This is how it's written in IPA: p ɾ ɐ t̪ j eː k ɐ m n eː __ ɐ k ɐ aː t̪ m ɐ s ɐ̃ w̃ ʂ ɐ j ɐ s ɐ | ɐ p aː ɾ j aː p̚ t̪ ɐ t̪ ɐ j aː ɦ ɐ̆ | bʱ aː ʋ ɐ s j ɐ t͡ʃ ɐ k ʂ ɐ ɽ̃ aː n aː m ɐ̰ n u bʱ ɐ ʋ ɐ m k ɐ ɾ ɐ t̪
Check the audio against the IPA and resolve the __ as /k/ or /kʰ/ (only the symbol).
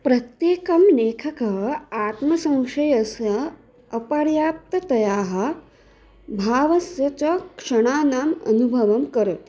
kʰ